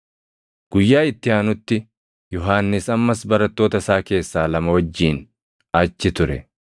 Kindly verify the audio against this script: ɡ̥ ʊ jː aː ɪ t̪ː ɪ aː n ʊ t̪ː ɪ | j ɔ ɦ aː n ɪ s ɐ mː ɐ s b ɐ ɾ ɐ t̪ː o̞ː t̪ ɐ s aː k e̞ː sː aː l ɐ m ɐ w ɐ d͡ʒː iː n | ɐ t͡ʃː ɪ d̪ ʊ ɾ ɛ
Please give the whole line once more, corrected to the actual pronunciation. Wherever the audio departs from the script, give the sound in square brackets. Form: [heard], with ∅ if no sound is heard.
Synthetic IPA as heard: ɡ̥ ʊ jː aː ɪ t̪ː ɪ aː n ʊ t̪ː ɪ | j ɔ ɦ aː [nː] ɪ s ɐ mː ɐ s b ɐ ɾ ɐ t̪ː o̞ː t̪ ɐ s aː k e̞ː sː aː l ɐ m ɐ w ɐ d͡ʒː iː n | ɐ t͡ʃː ɪ [t̪] ʊ ɾ ɛ